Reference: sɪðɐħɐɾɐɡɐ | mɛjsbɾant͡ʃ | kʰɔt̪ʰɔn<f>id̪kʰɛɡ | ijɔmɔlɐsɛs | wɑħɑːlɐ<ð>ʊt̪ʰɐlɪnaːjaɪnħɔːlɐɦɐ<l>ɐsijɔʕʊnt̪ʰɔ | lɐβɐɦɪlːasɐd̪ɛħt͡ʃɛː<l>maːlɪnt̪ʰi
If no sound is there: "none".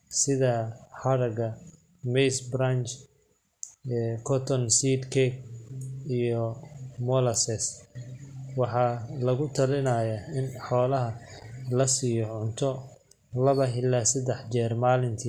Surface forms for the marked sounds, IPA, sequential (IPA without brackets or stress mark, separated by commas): s, ɣ, l, r